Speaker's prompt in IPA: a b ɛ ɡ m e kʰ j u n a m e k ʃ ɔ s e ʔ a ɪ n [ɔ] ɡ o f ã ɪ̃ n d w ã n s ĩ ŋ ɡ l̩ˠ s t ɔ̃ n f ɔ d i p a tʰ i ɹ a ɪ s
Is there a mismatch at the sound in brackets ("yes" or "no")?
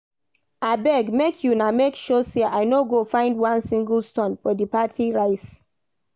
yes